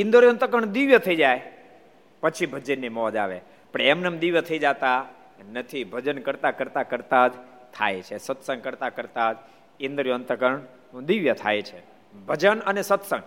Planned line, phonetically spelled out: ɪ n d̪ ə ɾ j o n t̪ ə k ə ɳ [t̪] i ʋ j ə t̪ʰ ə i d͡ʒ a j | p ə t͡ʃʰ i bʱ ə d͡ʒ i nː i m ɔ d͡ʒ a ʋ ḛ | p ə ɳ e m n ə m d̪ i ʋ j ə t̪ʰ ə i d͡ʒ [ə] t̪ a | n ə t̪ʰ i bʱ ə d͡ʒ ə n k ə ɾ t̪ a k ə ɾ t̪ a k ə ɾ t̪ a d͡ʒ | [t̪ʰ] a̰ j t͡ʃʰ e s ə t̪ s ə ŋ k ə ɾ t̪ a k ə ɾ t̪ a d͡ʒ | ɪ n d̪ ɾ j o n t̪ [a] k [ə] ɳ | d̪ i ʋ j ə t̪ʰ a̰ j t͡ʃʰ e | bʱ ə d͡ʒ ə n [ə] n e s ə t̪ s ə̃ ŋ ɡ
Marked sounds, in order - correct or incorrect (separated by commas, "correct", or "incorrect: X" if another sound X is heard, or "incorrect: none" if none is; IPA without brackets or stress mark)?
incorrect: d̪, incorrect: a, correct, incorrect: ə, correct, correct